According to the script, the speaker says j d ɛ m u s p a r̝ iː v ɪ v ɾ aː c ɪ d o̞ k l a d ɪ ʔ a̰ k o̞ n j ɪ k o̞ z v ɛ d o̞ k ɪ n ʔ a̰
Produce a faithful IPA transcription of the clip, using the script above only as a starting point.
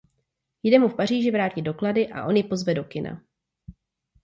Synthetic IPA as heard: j d ɛ m u f p a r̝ iː ʒ ɪ v ɾ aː c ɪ d o̞ k l a d ɪ ʔ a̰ ʔ o̞ n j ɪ p o̞ z v ɛ d o̞ k ɪ n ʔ a̰